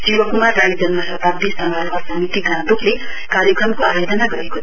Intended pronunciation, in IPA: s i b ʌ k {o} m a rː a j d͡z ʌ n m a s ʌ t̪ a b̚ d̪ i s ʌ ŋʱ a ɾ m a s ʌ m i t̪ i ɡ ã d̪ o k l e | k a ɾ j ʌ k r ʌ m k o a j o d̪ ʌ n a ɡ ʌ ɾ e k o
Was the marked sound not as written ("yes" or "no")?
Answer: yes